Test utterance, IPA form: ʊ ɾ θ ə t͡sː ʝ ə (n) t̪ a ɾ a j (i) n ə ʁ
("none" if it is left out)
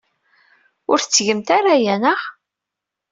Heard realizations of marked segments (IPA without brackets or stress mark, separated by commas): m, æ